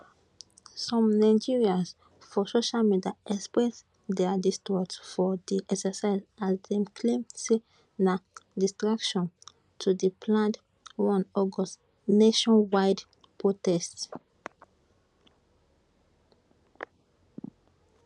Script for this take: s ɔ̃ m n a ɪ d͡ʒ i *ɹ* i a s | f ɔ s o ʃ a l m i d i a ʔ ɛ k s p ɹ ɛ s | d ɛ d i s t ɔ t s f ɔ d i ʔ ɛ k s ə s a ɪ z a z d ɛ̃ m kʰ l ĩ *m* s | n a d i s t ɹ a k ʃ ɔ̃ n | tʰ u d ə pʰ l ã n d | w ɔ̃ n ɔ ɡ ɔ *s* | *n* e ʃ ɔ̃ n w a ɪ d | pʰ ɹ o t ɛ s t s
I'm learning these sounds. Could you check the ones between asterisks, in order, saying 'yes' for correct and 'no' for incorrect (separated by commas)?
yes, yes, yes, yes